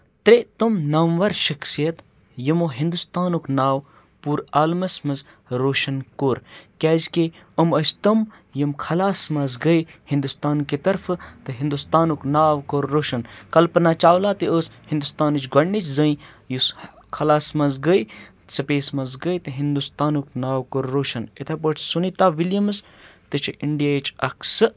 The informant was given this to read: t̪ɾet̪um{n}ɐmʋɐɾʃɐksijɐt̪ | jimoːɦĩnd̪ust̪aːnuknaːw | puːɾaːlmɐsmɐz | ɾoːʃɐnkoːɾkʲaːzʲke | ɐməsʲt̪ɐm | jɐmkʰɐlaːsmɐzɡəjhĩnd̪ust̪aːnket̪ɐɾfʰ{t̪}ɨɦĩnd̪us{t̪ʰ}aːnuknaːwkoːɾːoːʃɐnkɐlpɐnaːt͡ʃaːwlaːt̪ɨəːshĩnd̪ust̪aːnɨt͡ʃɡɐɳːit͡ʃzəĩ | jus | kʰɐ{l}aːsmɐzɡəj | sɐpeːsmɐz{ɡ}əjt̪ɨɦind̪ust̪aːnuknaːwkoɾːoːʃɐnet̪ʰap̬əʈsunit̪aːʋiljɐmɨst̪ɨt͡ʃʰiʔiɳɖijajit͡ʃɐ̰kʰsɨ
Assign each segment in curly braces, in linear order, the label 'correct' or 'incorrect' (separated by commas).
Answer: correct, correct, incorrect, correct, correct